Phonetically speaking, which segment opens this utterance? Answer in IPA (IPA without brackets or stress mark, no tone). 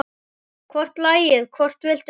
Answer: kʰ